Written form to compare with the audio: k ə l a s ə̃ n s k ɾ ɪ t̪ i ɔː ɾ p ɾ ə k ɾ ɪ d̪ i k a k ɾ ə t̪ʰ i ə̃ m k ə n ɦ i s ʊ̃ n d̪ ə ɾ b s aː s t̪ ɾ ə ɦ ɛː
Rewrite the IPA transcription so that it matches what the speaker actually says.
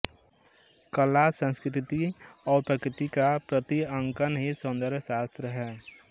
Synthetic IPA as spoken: k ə l a s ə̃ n s k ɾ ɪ t̪ i ɔː ɾ p ɾ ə k ɾ ɪ t̪ i k a p ɾ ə t̪ i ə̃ ŋ k ə n ɦ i s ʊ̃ n d̪ ə ɾ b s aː s t̪ ɾ ə ɦ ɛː